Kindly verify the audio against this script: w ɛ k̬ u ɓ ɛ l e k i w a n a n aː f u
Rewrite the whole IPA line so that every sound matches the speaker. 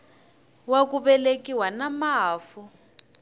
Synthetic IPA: w a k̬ u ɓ ɛ l e k i w a n a m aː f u